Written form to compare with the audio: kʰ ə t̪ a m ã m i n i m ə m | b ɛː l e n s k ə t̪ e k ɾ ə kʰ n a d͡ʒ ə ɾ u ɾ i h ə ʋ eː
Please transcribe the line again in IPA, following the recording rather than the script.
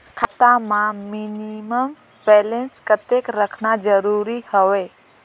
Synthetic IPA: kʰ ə t̪ a m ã m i n i m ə m | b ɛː l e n s k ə t̪ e k ɾ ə kʰ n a d͡ʒ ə ɾ u ɾ i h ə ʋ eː

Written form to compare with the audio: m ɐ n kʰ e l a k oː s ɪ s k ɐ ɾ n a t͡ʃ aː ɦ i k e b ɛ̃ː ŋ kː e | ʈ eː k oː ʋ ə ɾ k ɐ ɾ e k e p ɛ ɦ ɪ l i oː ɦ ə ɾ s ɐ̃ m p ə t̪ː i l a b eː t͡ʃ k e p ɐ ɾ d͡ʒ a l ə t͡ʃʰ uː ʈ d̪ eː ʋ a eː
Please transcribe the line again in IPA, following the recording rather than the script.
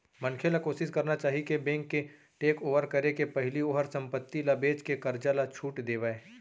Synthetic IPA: m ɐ n kʰ e l a k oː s ɪ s k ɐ ɾ n a t͡ʃ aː ɦ i k e b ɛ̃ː ŋ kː e | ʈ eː k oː ʋ ə ɾ k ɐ ɾ e k e p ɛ ɦ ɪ l i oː ɦ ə ɾ s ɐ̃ m p ə t̪ː i l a b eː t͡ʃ k e k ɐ ɾ d͡ʒ a l a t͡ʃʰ uː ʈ d̪ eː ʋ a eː

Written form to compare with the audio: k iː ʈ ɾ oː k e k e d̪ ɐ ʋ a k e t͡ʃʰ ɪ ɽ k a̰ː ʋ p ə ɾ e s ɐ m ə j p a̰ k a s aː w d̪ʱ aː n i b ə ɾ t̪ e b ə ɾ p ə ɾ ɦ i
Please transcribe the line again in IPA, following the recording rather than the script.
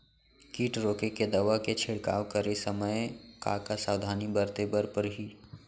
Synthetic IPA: k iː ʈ ɾ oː k e k e d̪ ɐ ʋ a k e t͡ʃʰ ɪ ɽ k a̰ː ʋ k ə ɾ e s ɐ m ə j k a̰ k a s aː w d̪ʱ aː n i b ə ɾ t̪ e b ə ɾ p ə ɾ ɦ i

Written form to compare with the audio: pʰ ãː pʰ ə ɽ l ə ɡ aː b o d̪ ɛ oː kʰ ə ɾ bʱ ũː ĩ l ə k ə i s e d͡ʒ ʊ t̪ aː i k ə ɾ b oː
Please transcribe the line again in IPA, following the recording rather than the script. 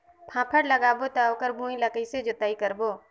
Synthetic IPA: pʰ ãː pʰ ə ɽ l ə ɡ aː b o t̪ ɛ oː k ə ɾ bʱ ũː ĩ l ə k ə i s e d͡ʒ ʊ t̪ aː i k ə ɾ b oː

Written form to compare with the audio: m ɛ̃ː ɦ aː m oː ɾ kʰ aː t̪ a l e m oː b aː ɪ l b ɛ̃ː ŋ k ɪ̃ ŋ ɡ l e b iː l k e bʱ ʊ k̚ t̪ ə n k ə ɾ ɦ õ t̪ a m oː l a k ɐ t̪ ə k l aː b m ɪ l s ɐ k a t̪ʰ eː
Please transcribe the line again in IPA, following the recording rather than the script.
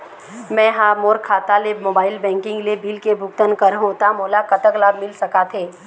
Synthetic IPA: m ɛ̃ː ɦ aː m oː ɾ kʰ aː t̪ a l e m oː b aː ɪ l b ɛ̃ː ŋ k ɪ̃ ŋ ɡ l e b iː l k e bʱ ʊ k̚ t̪ ə n k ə ɾ ɦ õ t̪ a m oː l a k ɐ t̪ ə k l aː b m ɪ l s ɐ k a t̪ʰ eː

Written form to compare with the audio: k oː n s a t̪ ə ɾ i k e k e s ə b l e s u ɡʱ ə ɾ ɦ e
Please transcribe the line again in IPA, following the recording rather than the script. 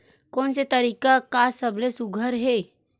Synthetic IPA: k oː n s e t̪ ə ɾ i k a k a s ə b l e s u ɡʱ ə ɾ ɦ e

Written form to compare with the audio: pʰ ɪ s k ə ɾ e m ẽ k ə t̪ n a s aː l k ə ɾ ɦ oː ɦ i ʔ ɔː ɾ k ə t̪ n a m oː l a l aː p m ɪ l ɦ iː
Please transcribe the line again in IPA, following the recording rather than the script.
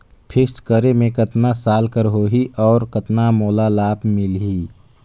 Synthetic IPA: pʰ ɪ s k ə ɾ e m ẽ k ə t̪ n a s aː l k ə ɾ ɦ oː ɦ i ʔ ɔː ɾ k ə t̪ n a m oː l a l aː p m ɪ l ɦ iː

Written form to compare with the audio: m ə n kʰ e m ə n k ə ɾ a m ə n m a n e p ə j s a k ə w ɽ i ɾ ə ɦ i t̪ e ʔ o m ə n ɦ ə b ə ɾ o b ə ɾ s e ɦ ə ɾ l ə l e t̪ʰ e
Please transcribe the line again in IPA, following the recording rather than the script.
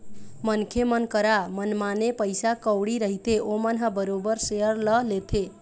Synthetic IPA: m ə n kʰ e m ə n k ə ɾ a m ə n m a n e p ə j s a k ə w ɽ i ɾ ə ɦ i t̪ e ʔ o m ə n ɦ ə b ə ɾ o b ə ɾ s e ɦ ə ɾ l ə l e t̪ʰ e

